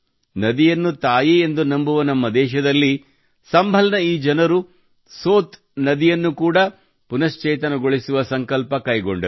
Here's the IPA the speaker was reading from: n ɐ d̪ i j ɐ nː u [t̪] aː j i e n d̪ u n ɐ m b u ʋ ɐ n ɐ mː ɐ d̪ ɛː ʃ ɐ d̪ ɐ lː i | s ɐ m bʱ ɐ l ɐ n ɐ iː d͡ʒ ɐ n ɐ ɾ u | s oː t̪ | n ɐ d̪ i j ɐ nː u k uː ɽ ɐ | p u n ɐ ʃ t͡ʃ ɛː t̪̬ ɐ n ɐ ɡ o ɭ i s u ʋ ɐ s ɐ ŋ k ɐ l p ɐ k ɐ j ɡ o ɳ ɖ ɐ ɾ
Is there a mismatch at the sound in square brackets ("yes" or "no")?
no